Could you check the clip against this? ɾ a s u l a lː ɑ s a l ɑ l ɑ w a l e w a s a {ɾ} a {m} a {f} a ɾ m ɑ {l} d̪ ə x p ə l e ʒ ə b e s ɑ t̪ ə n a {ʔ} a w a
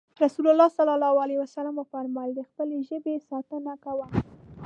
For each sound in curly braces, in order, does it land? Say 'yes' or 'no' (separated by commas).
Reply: no, yes, yes, yes, no